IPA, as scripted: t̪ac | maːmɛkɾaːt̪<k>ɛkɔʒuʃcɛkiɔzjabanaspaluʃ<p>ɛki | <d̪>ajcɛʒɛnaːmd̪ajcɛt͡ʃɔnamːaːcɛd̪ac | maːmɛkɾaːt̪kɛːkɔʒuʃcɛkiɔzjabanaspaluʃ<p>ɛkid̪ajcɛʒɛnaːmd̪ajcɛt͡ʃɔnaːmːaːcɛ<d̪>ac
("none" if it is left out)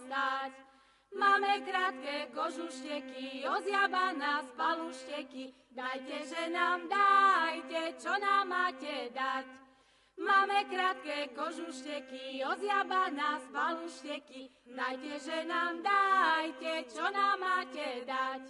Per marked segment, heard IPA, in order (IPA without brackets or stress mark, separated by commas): k, c, d̪, c, d̪